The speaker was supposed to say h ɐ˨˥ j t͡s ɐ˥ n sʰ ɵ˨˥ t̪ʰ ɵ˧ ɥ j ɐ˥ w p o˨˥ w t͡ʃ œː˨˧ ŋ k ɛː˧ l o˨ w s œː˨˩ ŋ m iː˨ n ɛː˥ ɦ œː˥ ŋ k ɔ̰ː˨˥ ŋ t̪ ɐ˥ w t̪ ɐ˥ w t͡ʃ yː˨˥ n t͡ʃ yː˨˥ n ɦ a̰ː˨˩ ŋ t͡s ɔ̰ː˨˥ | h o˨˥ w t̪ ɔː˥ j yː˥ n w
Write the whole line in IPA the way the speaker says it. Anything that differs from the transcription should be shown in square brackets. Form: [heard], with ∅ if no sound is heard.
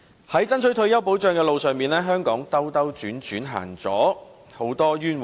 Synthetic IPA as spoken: h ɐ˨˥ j t͡s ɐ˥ n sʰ ɵ˨˥ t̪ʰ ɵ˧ ɥ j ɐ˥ w p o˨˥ w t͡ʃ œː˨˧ ŋ k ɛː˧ l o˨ w s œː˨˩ ŋ m iː˨ n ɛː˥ ɦ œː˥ ŋ k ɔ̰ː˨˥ ŋ t̪ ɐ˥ w t̪ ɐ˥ w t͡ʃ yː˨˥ n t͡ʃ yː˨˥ n ɦ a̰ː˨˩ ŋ t͡s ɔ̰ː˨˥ | h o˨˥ w t̪ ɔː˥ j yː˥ n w